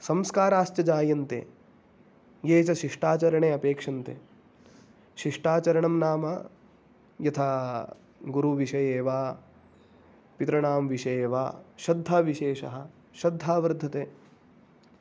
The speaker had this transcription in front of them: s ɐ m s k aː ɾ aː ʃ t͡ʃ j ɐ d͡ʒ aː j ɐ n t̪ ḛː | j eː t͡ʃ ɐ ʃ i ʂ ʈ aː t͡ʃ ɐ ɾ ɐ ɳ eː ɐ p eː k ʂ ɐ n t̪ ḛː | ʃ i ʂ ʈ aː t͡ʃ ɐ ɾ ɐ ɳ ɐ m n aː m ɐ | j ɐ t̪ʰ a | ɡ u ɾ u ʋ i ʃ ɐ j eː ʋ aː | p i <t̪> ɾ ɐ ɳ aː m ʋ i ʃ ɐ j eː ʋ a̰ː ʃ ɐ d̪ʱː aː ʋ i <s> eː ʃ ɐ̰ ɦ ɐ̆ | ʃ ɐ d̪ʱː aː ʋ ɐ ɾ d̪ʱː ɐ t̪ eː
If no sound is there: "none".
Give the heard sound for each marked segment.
t̪, ʃ

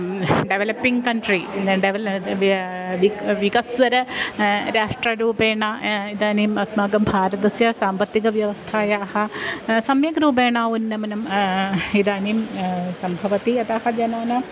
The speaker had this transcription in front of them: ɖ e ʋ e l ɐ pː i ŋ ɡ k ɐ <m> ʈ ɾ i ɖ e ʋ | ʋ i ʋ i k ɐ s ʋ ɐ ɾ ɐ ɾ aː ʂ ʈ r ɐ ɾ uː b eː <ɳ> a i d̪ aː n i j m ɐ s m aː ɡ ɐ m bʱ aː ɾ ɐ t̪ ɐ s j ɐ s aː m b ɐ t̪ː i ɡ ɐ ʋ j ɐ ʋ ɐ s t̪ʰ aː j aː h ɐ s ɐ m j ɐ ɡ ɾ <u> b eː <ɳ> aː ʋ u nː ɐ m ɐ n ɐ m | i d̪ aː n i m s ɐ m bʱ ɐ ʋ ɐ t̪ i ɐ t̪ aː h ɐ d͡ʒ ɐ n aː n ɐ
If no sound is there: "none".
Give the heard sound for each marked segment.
ɳ, ɳ, uː, ɳ

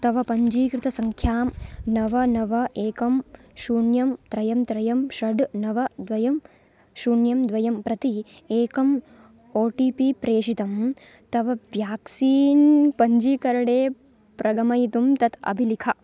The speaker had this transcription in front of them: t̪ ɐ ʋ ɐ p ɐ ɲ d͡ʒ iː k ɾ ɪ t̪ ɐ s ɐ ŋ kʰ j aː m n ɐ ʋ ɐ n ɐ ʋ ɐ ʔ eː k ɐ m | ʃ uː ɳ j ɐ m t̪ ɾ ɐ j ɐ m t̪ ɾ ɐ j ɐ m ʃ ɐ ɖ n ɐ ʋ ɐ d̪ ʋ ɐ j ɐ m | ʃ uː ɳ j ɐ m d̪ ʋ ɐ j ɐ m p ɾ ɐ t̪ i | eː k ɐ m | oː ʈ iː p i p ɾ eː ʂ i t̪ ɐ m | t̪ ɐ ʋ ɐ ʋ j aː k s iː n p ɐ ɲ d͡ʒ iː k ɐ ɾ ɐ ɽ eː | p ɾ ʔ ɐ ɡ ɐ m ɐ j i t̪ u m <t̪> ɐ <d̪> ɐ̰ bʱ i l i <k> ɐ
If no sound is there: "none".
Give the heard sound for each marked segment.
t̪, t̪, kʰ

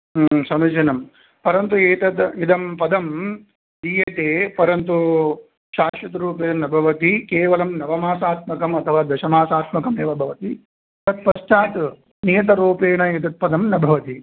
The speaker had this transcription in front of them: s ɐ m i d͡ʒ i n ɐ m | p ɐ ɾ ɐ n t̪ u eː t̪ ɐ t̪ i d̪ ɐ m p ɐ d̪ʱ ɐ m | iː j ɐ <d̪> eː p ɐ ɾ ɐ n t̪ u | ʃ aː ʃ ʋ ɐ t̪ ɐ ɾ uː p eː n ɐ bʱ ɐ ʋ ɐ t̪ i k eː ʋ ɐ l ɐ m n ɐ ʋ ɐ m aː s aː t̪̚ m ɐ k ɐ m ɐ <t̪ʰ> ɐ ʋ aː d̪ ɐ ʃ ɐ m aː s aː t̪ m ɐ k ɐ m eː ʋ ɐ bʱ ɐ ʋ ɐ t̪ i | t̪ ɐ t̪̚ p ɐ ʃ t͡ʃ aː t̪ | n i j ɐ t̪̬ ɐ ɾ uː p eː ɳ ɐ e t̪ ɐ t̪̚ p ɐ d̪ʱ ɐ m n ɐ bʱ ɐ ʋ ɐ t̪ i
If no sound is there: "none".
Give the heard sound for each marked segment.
t̪, t̪ʰ

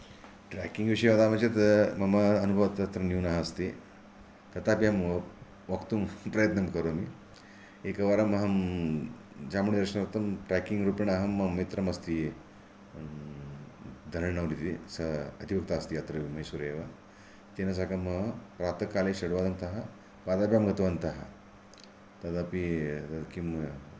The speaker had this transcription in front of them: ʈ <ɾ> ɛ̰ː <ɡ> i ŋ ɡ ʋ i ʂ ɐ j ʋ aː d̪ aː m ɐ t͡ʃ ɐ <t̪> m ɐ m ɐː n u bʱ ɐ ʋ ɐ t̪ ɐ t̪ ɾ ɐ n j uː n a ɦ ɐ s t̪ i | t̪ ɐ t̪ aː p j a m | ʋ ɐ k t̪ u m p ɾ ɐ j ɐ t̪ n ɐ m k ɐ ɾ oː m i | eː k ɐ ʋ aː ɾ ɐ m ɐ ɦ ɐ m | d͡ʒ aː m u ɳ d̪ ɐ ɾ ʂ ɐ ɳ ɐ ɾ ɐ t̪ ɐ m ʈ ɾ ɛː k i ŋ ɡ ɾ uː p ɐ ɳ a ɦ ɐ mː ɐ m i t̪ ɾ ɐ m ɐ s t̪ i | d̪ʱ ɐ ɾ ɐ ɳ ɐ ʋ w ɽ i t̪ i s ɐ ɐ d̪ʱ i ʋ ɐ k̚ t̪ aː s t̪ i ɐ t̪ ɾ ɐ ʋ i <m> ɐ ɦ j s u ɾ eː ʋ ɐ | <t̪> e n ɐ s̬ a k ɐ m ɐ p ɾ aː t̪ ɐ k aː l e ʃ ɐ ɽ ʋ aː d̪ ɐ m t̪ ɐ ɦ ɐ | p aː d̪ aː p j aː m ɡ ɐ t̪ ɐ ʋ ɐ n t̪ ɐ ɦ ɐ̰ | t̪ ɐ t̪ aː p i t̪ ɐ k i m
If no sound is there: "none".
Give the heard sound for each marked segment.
ɾ, k, t̪, m, t̪

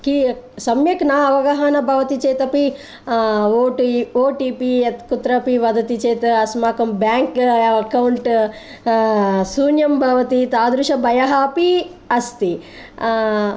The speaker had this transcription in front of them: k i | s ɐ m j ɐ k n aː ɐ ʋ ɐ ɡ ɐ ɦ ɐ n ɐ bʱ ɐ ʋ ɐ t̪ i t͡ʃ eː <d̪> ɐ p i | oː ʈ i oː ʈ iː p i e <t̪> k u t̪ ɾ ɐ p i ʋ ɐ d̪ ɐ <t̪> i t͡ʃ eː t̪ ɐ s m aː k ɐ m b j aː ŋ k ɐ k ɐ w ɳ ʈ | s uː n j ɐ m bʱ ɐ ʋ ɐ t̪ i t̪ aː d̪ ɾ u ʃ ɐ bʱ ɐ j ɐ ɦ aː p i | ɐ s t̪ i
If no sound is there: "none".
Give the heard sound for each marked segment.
t̪, t̪, t̪

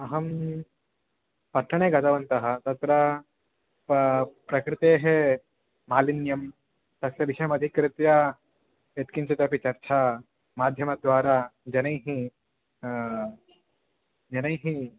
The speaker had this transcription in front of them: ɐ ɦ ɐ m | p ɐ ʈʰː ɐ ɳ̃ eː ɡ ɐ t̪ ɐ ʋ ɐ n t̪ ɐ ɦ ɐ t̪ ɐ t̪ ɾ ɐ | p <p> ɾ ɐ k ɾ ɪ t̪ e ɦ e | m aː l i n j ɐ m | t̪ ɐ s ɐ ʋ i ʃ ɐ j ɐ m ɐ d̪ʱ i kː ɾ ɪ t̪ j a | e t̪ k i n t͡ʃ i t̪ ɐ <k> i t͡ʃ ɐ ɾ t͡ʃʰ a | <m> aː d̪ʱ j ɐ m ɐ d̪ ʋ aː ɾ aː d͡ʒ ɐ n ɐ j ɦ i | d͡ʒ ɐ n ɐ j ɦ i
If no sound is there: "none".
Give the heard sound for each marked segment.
p, p, m

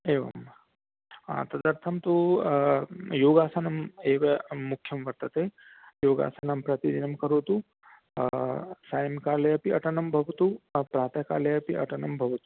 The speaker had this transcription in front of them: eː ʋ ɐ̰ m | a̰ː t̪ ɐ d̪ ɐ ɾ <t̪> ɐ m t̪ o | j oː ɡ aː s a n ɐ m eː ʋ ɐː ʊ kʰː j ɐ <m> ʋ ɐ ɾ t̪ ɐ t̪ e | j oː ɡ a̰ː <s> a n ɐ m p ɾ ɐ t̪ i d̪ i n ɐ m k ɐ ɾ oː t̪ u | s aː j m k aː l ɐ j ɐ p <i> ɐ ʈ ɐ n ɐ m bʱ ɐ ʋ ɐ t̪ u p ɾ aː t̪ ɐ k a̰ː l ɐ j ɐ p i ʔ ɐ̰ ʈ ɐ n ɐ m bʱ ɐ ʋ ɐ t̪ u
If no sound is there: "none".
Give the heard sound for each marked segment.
t̪ʰ, m, s, i

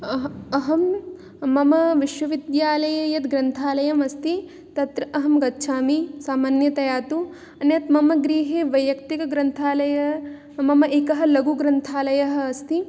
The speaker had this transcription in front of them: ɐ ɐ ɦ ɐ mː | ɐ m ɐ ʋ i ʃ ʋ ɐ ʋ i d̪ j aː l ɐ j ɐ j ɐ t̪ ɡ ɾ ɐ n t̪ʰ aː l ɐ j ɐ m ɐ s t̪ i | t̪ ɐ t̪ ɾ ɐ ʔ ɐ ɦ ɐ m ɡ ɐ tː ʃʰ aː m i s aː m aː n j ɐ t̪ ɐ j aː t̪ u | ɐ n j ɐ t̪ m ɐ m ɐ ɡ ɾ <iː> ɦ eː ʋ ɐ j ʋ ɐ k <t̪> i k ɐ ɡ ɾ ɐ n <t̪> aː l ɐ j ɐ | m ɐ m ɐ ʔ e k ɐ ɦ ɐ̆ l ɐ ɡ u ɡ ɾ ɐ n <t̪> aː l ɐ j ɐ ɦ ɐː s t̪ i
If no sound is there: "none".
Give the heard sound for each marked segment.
iː, t̪, t̪ʰ, t̪ʰ

